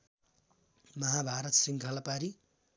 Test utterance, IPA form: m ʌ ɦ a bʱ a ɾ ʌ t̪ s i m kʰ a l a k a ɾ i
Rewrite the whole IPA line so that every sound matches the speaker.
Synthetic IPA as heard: m ʌ ɦ a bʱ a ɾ ʌ t̪ s i ŋ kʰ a l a p a ɾ i